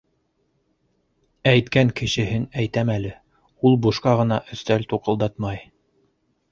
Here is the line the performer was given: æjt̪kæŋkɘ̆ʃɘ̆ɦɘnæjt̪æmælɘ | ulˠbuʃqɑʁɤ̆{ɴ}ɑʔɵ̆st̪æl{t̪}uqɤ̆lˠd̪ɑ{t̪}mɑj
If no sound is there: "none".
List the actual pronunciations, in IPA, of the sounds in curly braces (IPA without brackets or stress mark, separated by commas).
n, t̪, t̪